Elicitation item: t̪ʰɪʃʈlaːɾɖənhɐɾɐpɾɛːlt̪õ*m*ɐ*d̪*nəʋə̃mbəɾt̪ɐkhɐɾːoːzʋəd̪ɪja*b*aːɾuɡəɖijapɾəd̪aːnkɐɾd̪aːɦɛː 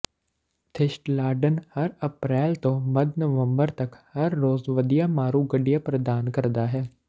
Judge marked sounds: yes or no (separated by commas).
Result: yes, yes, no